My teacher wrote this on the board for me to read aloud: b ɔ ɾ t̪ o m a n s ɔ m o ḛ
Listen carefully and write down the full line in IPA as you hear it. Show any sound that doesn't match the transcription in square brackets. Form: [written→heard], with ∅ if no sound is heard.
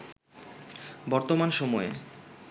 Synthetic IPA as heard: b ɔ ɾ t̪ o m a n [s→ʃ] ɔ m [o→ɔ] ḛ